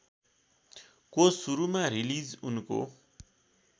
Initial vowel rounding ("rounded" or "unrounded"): rounded